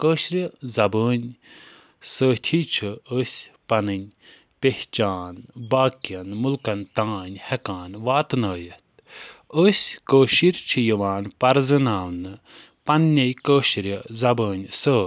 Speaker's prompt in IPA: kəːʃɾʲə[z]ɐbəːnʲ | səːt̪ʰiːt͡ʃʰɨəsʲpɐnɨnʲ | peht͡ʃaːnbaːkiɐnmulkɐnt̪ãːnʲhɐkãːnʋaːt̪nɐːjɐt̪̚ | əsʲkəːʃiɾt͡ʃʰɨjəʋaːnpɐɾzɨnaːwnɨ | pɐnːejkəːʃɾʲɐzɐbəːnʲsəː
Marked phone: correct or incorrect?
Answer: correct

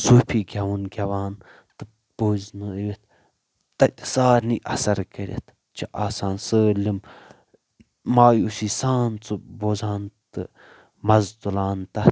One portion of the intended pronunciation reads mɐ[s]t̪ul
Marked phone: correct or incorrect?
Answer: incorrect: z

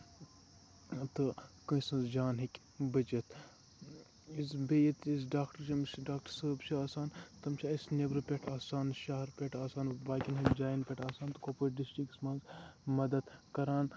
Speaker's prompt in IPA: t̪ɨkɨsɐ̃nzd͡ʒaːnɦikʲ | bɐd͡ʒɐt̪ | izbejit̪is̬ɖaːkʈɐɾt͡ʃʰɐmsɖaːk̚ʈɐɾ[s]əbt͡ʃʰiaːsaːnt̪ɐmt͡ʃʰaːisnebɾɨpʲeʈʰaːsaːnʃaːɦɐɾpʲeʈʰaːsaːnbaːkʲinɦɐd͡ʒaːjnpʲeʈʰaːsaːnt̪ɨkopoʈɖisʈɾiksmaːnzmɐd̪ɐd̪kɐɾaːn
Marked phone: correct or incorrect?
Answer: correct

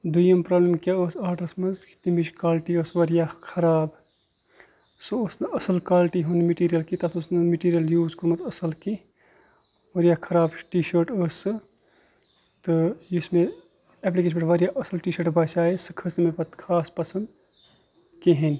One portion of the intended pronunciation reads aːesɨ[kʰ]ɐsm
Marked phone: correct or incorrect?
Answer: correct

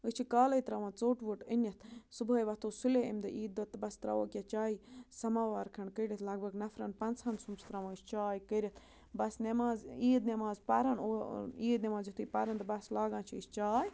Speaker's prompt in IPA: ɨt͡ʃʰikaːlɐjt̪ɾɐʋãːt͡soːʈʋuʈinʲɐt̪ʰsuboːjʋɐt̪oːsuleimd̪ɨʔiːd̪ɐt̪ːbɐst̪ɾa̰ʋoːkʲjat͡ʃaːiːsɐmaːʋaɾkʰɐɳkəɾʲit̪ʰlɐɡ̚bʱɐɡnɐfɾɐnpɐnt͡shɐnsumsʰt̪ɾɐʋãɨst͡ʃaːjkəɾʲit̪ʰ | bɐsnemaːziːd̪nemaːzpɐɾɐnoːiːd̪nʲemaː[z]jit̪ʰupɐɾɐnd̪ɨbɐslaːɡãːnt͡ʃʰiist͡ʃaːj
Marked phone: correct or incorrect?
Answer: correct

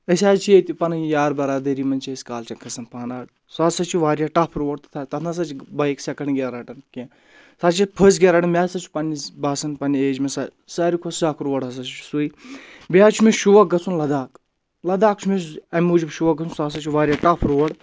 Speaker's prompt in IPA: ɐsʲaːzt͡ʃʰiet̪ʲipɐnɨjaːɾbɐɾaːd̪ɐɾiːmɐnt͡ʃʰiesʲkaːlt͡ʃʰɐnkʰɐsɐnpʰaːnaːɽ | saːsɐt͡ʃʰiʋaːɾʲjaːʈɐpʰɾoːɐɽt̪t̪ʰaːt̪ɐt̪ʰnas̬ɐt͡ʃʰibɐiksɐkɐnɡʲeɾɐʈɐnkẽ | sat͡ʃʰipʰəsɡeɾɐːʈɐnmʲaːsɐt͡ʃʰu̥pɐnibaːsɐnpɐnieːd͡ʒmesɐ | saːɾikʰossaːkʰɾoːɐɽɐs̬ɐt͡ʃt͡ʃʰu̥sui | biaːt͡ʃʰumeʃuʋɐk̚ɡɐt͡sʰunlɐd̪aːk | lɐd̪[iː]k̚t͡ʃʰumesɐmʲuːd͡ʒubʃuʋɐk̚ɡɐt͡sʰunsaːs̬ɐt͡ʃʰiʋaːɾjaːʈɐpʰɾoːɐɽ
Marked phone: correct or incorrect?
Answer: incorrect: aː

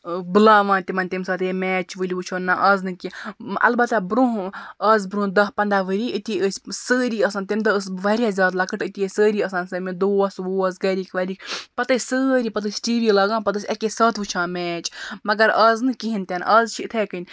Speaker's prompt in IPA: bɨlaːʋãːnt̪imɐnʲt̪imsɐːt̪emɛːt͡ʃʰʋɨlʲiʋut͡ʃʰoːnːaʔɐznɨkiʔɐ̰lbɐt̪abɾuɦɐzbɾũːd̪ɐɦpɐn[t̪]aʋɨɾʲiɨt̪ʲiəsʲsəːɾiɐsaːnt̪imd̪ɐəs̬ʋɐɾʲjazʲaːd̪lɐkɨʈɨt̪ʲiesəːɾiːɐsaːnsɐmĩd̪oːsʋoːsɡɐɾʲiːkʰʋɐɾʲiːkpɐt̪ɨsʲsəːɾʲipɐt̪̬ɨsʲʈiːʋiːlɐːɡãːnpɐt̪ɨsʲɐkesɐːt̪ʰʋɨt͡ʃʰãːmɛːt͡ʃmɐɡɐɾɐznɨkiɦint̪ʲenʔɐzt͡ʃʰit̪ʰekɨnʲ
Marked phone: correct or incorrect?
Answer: incorrect: d̪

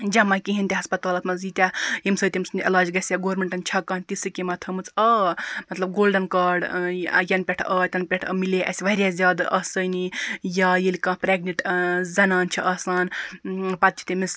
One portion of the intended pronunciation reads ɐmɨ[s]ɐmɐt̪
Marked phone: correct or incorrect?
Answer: incorrect: t͡s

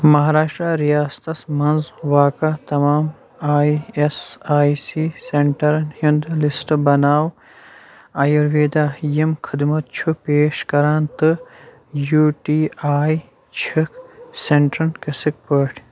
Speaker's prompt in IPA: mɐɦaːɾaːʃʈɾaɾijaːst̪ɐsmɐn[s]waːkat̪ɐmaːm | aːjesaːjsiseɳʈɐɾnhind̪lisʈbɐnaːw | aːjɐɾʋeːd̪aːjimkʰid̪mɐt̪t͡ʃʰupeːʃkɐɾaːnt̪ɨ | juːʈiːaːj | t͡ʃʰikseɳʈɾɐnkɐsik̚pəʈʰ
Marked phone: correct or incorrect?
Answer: incorrect: z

